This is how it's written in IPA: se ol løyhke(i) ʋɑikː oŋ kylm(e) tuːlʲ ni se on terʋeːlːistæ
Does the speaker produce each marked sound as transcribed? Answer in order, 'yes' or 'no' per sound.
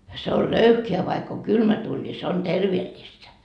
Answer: no, no

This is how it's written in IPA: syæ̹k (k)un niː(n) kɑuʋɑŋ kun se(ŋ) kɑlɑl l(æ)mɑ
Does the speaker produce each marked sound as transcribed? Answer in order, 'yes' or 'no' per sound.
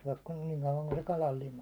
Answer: yes, no, no, no

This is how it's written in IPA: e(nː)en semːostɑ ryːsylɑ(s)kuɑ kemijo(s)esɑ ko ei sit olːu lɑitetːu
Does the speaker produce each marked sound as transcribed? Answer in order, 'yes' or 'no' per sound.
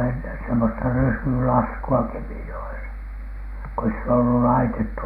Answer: yes, yes, no

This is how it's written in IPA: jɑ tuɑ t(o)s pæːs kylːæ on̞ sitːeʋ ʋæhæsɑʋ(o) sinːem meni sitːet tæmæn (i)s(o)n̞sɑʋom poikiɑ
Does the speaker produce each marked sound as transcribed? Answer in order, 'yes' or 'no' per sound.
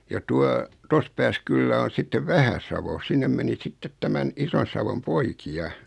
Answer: yes, yes, yes, yes

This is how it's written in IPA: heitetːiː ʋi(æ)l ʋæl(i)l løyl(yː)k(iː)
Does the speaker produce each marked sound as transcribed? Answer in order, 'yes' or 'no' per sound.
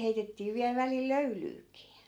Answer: yes, yes, yes, yes

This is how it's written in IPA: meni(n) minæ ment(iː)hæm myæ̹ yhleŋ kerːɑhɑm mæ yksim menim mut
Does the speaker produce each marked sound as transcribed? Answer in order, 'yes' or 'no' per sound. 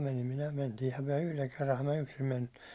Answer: no, yes

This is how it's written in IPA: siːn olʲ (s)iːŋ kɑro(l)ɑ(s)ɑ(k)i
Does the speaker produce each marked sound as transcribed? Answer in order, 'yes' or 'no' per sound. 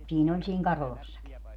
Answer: yes, yes, no, yes

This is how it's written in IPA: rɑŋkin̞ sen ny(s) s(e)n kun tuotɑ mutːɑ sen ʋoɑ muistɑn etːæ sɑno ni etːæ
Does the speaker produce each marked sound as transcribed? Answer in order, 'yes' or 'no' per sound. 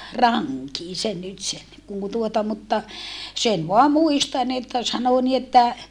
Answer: no, yes

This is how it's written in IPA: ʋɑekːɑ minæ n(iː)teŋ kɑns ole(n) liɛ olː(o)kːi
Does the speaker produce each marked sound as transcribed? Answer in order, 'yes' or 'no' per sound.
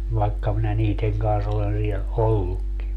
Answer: yes, yes, no

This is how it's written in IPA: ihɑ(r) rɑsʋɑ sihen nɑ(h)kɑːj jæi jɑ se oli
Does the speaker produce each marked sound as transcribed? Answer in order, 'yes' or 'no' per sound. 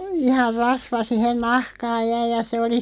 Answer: yes, yes

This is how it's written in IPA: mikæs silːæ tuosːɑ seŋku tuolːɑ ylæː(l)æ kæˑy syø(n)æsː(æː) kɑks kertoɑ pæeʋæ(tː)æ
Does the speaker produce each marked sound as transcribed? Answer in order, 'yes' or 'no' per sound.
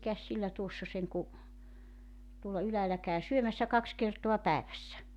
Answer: yes, no, no, no

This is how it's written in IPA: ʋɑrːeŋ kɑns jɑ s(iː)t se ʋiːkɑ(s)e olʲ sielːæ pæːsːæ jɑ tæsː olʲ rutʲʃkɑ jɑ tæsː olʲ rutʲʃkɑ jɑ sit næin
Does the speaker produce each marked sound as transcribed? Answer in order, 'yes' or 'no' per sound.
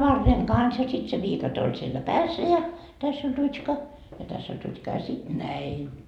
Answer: no, no

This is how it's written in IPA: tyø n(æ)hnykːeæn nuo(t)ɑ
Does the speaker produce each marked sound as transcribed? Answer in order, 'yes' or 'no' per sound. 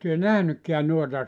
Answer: yes, yes

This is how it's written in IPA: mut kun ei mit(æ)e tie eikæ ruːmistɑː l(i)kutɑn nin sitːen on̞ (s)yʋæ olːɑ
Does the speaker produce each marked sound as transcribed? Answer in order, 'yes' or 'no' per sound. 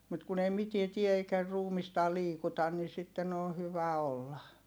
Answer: no, no, no

